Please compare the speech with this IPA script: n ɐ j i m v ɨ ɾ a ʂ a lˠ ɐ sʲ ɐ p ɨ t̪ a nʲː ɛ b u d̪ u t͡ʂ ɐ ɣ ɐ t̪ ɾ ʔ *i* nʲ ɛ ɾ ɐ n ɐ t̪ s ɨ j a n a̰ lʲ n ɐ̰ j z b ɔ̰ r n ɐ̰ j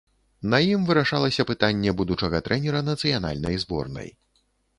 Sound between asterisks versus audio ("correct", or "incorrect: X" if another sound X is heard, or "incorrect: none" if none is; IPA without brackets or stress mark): incorrect: ɛ